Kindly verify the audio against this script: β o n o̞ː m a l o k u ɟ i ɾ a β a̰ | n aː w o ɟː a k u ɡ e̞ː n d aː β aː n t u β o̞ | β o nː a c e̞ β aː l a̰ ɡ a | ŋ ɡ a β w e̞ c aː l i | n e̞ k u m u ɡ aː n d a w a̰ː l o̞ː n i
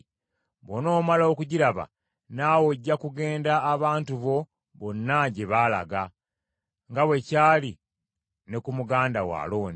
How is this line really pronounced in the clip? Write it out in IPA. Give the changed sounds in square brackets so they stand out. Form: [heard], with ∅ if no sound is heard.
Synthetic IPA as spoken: β o n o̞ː m a l o k u ɟ i ɾ a β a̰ | n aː w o ɟː a k u ɡ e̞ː n d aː β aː n t u β o̞ | β o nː a [ɟ] e̞ β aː l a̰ ɡ a | ŋ ɡ a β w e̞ c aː l i | n e̞ k u m u ɡ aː n d a w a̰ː l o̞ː n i